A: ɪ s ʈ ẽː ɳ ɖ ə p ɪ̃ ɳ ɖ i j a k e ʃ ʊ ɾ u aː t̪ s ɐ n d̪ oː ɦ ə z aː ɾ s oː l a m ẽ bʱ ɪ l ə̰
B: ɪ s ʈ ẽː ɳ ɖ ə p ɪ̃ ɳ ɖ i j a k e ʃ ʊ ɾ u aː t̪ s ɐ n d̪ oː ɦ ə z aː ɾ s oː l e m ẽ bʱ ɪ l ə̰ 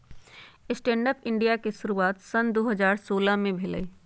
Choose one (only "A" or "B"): A